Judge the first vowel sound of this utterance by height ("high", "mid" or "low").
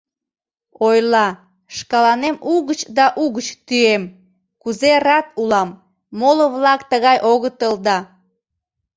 mid